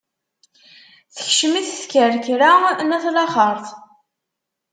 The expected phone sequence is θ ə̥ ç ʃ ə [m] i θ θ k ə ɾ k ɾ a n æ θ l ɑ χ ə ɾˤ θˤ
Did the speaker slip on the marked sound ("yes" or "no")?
no